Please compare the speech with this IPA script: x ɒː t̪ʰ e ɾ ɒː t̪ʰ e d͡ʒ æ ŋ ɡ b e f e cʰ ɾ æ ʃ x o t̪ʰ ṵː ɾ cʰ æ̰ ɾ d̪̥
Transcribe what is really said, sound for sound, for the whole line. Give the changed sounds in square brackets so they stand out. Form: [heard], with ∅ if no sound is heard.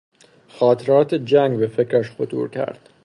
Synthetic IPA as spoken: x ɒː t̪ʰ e ɾ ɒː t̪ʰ e d͡ʒ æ ŋ ɡ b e f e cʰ ɾ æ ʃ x o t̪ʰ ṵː ɾ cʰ æ̰ ɾ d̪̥